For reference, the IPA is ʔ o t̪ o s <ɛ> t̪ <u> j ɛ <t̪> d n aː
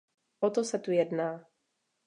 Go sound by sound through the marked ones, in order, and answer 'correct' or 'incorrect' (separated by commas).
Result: correct, correct, incorrect